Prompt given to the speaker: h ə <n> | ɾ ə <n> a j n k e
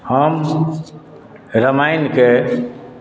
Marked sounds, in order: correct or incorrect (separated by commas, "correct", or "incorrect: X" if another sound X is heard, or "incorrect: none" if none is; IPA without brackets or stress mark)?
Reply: incorrect: m, incorrect: m